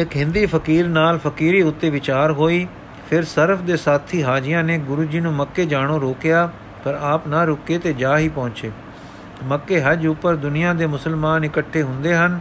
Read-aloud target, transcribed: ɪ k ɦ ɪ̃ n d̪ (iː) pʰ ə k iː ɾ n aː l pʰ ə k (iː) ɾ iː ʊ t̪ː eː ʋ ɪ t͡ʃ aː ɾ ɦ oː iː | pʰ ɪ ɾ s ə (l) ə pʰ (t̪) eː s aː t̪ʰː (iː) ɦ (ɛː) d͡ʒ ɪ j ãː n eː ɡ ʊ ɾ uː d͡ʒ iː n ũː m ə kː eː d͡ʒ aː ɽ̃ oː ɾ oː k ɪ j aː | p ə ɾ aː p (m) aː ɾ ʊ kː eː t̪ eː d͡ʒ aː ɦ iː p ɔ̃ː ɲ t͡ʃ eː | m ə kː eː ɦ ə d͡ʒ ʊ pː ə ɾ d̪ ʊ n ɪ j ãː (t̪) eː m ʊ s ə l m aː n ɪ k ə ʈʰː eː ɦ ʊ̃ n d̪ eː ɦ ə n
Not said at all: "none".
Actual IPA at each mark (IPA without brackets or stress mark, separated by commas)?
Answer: iː, iː, ɾ, d̪, iː, aː, n, d̪